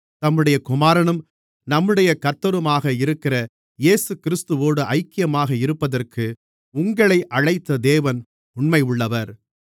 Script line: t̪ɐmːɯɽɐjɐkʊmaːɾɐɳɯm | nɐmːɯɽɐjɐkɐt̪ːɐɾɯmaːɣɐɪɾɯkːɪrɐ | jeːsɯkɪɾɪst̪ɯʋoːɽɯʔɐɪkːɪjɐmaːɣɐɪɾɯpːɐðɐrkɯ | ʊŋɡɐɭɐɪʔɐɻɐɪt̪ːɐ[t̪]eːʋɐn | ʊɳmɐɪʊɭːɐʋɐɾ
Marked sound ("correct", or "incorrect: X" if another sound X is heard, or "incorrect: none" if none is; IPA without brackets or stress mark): incorrect: d̪